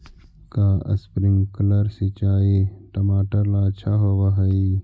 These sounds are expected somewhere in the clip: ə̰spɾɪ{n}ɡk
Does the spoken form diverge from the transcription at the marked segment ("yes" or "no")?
yes